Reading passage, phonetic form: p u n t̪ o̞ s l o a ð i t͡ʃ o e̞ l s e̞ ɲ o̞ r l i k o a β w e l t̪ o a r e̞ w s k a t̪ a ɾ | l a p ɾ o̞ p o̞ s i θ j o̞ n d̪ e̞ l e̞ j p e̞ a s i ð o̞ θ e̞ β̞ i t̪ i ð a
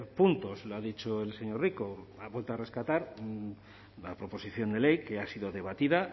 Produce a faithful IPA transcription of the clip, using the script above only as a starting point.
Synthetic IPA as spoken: p u n t̪ o̞ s l o a ð i t͡ʃ o e̞ l s e̞ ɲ o̞ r r i k o a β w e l t̪ o a r e̞ s k a t̪ a ɾ | l a p ɾ o̞ p o̞ s i θ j o̞ n d̪ e̞ l e̞ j k e̞ a s i ð o̞ ð e̞ β̞ a t̪ i ð a

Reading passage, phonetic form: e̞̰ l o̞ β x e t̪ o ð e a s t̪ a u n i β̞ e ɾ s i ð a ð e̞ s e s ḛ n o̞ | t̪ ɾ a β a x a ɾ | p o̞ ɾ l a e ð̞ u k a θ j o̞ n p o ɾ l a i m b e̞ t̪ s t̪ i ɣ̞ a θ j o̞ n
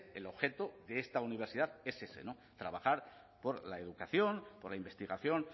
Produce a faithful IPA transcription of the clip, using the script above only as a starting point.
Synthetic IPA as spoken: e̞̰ l o̞ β x e t̪ o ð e e s t̪ a u n i β̞ e ɾ s i ð a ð e̞ s e s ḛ n o̞ | t̪ ɾ a β a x a ɾ | p o̞ ɾ l a e ð̞ u k a θ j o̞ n p o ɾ l a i m b e̞ s t̪ i ɣ̞ a θ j o̞ n

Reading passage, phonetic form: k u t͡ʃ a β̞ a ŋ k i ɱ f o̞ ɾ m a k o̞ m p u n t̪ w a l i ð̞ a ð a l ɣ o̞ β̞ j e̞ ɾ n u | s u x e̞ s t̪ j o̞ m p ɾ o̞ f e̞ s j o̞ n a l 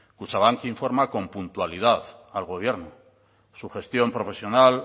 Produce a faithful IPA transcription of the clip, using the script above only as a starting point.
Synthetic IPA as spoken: k u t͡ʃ a β̞ a ŋ k i ɱ f o̞ ɾ m a k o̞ m p u n t̪ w a l i ð̞ a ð a l ɣ o̞ β̞ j e̞ ɾ n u | s u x e̞ s t̪ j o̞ m p ɾ o̞ f e̞ s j o̞ n a l

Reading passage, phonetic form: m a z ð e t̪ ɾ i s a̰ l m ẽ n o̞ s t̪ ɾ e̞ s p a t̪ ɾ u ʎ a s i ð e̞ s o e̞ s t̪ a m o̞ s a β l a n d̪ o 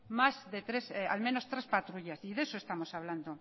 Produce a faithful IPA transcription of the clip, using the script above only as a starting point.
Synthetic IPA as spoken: m a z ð e t̪ ɾ e s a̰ l m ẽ n o̞ s t̪ ɾ e̞ s p a t̪ ɾ u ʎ a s i ð e̞ s o e̞ s t̪ a m o̞ s a β l a n d̪ o

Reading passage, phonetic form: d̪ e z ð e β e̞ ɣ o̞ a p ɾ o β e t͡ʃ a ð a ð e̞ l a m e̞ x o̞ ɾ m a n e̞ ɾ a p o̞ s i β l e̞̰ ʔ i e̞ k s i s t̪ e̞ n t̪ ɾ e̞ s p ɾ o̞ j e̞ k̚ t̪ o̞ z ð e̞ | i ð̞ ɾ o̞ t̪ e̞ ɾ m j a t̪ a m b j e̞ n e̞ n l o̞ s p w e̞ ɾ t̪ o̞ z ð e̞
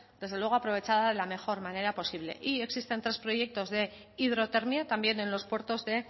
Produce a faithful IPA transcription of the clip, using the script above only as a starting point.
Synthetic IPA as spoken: d̪ e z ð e w e̞ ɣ o̞ a p ɾ o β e t͡ʃ a ð a ð e̞ l a m e̞ x o̞ ɾ m a n e̞ ɾ a p o̞ s i β l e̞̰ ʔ i e̞ k s i s t̪ e̞ n t̪ ɾ e̞ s p ɾ o̞ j e̞ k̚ t̪ o̞ z ð e̞ | i ð̞ ɾ o̞ t̪ e̞ ɾ m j a t̪ a m b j e̞ n e̞ n l o̞ s p w e̞ ɾ t̪ o̞ z ð e̞

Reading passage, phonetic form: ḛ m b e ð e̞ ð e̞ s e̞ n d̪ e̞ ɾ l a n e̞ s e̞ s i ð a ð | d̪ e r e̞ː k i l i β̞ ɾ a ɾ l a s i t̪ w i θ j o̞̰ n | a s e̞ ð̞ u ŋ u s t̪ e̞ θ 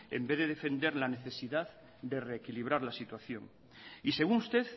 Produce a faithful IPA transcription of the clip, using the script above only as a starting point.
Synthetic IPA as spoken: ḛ m b e ð e̞ ð e̞ f e̞ n d̪ e̞ ɾ l a n e̞ θ e̞ s i ð a ð | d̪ e r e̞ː k i l i β̞ ɾ a ɾ l a s i t̪ w a θ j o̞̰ ŋ | i s e̞ ɣ̞ u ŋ u s t̪ e̞ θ

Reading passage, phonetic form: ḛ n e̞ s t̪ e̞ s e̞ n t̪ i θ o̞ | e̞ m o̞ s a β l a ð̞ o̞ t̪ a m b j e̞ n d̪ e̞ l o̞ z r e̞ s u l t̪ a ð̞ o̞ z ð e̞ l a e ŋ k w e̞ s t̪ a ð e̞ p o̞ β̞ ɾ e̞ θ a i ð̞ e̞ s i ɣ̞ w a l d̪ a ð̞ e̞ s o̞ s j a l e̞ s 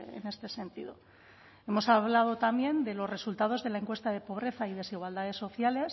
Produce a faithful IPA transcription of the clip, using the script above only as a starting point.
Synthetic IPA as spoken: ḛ n e̞ s t̪ e̞ s e̞ n t̪ i ð o̞ | e̞ m o̞ s a β l a ð̞ o̞ t̪ a m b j e̞ n d̪ e̞ l o̞ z r e̞ s u l t̪ a ð̞ o̞ z ð e̞ l a e ŋ k w e̞ s t̪ a ð e̞ p o̞ β̞ ɾ e̞ θ a i ð̞ e̞ s i ɣ̞ w a l d̪ a ð̞ e̞ s o̞ θ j a l e̞ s

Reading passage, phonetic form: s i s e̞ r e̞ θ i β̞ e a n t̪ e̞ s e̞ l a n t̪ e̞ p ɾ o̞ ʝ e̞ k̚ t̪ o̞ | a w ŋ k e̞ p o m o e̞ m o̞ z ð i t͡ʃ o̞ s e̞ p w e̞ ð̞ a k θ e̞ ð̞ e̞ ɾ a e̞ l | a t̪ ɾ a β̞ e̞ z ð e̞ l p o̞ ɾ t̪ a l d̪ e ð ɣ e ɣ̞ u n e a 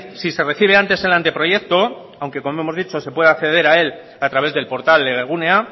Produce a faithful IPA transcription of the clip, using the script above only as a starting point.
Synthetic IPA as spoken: s i s e̞ r e̞ θ i β̞ e a n t̪ e̞ s e̞ l a n t̪ e̞ p ɾ o̞ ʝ e̞ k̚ t̪ o̞ | a w ŋ k e̞ k o m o e̞ m o̞ z ð i t͡ʃ o̞ s e̞ p w e̞ ð̞ a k θ e̞ ð̞ e̞ ɾ a e̞ l | a t̪ ɾ a β̞ e̞ z ð e̞ l p o̞ ɾ t̪ a l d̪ e ɣ e ɣ̞ u n e a

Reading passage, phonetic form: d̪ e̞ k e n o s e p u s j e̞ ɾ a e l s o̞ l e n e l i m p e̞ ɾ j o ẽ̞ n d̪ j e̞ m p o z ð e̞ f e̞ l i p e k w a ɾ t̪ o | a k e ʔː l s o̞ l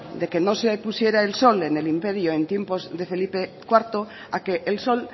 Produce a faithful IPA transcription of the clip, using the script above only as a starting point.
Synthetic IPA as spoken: d̪ e̞ k e n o s e p u s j e̞ ɾ a e l s o̞ l e n e l i m p e̞ ɾ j o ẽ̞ n t̪ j e̞ m p o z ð e̞ f e̞ l i p e k w a ɾ t̪ o | a k e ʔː l s o̞ l

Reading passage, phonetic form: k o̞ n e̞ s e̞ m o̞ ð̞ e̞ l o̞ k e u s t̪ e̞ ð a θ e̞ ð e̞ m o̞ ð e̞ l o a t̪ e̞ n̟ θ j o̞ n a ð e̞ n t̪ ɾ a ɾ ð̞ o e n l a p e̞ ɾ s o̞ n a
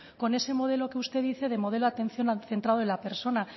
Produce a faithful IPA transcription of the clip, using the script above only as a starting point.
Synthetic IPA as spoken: k o̞ n e̞ s e̞ m o̞ ð̞ e̞ l o̞ k e u s t̪ e̞ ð i θ e̞ ð e̞ m o̞ ð e̞ l o a t̪ e̞ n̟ θ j o̞ n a θ e̞ n t̪ ɾ a ð̞ o e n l a p e̞ ɾ s o̞ n a

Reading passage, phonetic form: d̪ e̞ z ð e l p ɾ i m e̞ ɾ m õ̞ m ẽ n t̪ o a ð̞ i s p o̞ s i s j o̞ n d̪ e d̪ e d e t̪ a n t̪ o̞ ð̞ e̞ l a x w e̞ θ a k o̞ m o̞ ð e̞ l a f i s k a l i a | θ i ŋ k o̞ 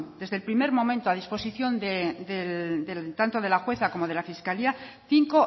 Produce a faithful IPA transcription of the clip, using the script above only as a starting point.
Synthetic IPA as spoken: d̪ e̞ z ð e l p ɾ i m e̞ ɾ m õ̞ m ẽ n t̪ o a ð̞ i s p o̞ s i θ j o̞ n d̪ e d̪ e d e t̪ a n t̪ o̞ ð̞ e̞ l a x w e̞ θ a k o̞ m o̞ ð e̞ l a f i s k a l i a | θ i ŋ k o̞

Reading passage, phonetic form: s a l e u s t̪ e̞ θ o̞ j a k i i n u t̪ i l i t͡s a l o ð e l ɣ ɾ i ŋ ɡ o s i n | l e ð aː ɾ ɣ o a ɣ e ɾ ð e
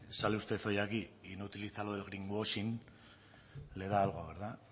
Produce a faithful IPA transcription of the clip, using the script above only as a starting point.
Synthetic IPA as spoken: s a l e u s t̪ e̞ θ o̞ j a k i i n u t̪ i l i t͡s a l o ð e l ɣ ɾ i ŋ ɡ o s i n | l e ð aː l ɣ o a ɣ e ɾ ð a

